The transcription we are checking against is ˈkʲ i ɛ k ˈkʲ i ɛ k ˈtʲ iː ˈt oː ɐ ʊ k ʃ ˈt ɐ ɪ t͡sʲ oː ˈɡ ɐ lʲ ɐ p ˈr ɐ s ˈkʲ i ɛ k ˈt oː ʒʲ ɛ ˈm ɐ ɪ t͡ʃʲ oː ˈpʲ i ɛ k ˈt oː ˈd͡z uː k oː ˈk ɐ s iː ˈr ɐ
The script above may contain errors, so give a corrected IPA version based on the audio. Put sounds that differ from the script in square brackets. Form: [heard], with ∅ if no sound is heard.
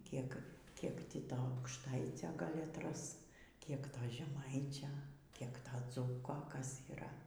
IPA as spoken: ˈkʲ i ɛ k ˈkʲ i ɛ k ˈtʲ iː ˈt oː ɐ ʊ k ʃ ˈt ɐ ɪ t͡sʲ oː ˈɡ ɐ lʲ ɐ [t] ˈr ɐ s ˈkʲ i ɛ k ˈt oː ʒʲ ɛ ˈm ɐ ɪ t͡ʃʲ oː [ˈkʲ] i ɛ k ˈt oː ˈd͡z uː k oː ˈk ɐ s iː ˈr ɐ